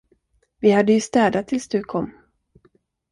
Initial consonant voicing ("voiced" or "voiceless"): voiced